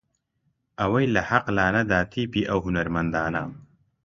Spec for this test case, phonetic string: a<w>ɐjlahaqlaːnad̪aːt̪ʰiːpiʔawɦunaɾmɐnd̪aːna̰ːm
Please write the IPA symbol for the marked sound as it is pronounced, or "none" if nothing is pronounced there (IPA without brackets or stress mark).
w